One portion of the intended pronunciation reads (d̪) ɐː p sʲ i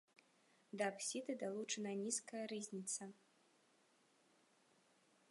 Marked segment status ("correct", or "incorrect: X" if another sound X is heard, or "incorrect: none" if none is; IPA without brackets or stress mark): correct